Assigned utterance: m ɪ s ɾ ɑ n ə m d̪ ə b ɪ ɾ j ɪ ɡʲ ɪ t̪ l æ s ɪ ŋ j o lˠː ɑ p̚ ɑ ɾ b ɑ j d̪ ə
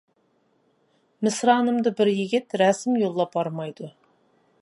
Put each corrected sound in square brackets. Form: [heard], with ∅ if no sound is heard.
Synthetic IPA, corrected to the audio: m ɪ s ɾ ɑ n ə m d̪ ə b ɪ ɾ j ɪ ɡʲ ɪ t̪ [ɾ] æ s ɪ [m] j o lˠː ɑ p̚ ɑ ɾ [m] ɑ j d̪ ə